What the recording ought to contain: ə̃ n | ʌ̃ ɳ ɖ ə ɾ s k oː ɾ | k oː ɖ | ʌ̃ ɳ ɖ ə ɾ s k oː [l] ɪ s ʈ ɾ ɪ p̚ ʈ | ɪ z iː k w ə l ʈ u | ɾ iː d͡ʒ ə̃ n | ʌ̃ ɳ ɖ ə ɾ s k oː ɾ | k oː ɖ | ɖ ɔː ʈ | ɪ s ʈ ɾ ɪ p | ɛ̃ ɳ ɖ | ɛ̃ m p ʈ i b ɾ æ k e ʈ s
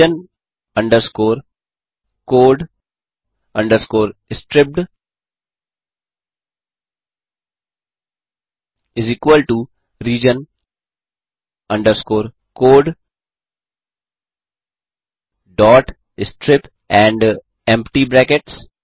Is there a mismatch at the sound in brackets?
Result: yes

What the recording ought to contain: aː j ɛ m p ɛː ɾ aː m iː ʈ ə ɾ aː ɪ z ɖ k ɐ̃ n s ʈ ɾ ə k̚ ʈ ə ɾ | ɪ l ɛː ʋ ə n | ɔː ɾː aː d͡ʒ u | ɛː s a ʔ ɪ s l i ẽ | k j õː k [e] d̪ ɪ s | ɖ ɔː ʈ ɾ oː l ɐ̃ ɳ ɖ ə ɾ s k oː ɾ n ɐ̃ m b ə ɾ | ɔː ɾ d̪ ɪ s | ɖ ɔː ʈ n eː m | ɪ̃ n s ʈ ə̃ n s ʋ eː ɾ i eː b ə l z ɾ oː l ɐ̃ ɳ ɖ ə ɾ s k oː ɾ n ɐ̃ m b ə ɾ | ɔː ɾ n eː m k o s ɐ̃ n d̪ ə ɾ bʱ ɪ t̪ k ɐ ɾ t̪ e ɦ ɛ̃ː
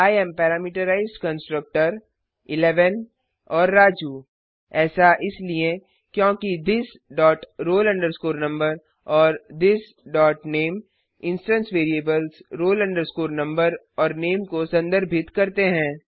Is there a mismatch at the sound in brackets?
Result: yes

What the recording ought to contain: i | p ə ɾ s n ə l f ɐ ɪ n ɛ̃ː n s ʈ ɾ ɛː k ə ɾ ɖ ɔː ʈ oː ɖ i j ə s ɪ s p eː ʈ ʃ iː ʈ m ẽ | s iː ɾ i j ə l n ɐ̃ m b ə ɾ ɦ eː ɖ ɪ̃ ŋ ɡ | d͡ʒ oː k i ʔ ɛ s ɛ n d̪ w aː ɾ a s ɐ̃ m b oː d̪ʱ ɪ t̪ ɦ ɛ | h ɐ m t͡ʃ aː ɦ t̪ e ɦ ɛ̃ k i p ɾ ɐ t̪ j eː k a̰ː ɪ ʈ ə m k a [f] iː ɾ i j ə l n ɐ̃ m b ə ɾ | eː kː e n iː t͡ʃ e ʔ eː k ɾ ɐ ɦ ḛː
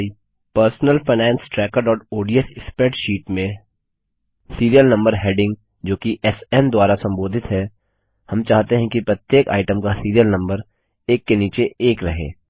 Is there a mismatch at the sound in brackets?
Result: yes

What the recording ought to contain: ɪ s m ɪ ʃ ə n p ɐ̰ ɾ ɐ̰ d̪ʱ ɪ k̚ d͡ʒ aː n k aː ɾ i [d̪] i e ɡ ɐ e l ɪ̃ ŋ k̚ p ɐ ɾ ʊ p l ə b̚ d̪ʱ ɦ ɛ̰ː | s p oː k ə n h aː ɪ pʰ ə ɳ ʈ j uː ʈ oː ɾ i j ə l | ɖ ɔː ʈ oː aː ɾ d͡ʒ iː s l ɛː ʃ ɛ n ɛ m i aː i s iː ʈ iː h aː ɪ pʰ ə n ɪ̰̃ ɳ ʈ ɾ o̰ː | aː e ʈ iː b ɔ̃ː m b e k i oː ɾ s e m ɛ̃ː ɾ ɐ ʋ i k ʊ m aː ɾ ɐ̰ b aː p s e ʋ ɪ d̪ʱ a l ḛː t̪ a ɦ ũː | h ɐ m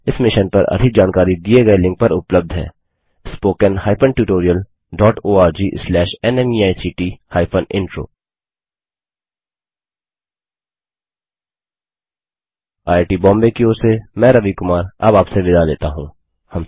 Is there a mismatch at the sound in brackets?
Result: no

